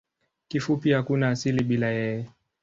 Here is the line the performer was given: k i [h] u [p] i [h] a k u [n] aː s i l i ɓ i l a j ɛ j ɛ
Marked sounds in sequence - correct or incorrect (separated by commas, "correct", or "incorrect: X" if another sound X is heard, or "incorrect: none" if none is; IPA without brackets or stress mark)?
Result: incorrect: f, correct, correct, correct